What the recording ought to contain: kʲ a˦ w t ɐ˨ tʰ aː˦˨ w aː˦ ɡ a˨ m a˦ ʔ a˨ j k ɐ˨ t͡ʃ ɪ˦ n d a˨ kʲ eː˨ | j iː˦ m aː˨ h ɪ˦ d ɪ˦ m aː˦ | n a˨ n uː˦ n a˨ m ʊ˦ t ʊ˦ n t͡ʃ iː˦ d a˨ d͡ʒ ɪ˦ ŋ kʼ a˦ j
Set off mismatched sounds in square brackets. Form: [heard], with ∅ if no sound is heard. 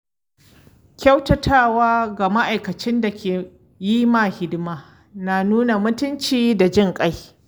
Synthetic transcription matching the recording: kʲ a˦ w t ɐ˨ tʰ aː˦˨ w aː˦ ɡ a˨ m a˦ ʔ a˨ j k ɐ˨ t͡ʃ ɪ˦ n d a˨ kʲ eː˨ | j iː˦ m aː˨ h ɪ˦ d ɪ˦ m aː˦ | n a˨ n uː˦ n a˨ m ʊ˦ t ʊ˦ n t͡ʃ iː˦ d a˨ d͡ʒ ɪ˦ ŋ kʼ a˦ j